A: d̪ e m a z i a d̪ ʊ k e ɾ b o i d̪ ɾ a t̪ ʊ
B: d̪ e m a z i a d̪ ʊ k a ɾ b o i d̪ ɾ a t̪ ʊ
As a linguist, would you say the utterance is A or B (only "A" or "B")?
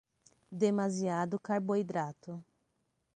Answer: B